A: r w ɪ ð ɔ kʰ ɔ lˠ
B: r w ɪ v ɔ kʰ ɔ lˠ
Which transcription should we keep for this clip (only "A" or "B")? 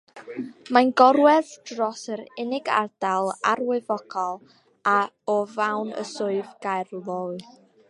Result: B